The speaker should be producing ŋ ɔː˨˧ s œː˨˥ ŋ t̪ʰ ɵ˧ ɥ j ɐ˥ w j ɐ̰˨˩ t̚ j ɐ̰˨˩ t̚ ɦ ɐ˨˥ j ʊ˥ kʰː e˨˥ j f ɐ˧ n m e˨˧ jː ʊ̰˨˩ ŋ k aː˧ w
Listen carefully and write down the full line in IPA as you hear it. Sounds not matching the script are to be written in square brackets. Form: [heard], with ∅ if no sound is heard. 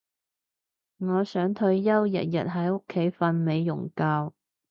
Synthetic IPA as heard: ŋ ɔː˨˧ s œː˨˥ ŋ t̪ʰ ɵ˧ ɥ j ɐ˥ w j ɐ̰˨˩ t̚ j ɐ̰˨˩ t̚ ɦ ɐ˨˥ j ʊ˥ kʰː e˨˥ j f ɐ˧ n m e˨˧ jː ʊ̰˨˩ ŋ k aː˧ w